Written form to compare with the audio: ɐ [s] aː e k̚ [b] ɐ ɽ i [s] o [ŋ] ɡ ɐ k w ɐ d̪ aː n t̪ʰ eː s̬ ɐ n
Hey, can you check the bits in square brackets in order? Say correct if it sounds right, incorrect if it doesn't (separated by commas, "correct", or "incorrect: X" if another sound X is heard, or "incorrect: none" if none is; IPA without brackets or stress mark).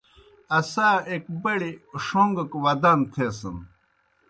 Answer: correct, correct, incorrect: ʂ, correct